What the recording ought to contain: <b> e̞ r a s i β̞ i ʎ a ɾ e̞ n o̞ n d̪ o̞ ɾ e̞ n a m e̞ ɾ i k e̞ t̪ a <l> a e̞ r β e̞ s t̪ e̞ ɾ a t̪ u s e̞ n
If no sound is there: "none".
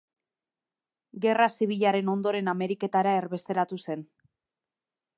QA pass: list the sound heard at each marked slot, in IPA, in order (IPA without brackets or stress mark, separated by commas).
ɡ, ɾ